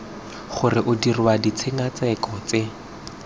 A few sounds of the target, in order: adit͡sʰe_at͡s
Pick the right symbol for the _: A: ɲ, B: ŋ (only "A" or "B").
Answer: B